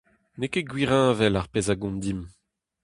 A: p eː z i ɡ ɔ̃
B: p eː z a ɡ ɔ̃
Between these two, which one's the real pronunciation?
B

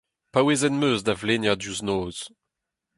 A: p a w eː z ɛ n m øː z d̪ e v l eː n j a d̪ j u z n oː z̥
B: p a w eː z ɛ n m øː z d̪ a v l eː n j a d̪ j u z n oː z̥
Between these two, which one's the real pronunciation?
B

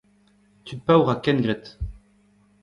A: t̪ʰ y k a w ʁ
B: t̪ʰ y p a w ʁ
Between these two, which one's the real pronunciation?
B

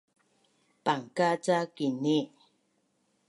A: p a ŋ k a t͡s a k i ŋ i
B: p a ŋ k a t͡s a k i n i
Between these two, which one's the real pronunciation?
B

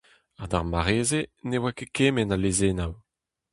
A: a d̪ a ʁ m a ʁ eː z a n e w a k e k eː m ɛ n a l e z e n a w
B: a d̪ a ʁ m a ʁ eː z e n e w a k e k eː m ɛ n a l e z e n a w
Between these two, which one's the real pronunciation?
B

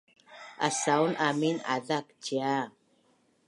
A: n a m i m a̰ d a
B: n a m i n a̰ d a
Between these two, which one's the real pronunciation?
B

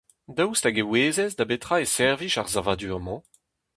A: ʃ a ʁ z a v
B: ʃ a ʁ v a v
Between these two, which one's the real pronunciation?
A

